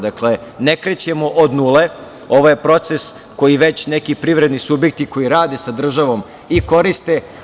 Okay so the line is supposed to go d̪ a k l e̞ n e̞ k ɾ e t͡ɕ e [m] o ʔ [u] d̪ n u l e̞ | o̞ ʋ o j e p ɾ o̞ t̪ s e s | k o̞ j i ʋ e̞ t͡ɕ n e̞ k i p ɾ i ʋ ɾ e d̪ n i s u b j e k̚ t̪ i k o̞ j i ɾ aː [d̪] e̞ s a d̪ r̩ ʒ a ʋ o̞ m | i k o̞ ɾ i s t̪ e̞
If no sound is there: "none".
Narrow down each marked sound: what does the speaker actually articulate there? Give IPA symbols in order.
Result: m, o, d̪

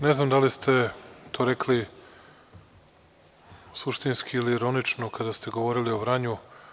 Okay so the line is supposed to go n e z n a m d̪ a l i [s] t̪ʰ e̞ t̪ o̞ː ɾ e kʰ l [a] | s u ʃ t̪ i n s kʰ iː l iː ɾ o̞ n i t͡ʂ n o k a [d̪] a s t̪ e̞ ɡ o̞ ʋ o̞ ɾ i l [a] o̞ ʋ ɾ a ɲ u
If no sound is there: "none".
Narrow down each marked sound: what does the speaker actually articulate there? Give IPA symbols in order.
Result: s, i, d̪, i

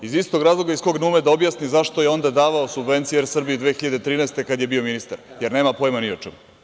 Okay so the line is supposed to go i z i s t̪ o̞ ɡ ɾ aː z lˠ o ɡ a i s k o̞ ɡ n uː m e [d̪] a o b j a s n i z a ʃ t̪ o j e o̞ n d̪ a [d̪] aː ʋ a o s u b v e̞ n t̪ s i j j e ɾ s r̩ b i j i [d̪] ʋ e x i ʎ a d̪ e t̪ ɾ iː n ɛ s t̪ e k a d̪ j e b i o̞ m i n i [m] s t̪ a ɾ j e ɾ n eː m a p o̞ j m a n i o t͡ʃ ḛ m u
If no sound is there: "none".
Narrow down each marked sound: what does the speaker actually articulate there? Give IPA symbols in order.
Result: d̪, d̪, d̪, none

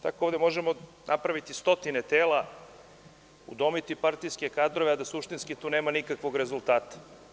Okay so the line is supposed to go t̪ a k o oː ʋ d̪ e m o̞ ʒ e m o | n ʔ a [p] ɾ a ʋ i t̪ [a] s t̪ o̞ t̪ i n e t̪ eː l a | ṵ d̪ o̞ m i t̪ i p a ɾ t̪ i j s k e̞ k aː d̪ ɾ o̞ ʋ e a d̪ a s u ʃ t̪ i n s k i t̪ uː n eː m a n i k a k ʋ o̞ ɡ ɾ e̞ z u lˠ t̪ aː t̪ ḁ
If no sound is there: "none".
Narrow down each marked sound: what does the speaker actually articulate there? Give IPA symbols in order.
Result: p, i

